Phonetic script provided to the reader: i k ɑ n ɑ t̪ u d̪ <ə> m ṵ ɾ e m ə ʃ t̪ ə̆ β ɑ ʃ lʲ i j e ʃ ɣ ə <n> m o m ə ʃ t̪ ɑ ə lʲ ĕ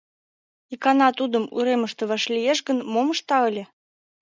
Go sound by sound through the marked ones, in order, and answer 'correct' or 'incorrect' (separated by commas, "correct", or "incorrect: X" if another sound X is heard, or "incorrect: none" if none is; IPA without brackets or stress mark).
correct, correct